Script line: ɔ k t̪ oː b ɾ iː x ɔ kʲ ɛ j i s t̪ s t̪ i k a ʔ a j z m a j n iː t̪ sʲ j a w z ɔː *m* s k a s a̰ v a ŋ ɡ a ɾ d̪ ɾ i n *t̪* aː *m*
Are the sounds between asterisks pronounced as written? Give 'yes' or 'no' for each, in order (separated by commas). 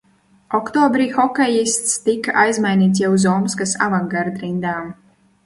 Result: yes, no, yes